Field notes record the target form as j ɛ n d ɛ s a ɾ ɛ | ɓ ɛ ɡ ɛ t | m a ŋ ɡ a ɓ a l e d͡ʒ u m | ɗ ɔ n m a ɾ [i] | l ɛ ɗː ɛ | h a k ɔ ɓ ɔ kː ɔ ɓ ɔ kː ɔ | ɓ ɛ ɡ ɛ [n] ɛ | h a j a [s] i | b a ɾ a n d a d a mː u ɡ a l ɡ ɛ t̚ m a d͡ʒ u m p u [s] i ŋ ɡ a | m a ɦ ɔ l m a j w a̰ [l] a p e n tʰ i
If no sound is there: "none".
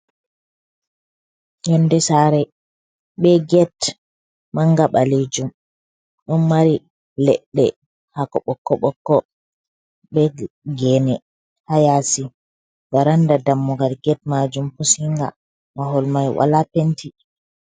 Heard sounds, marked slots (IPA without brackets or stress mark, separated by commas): i, n, s, s, l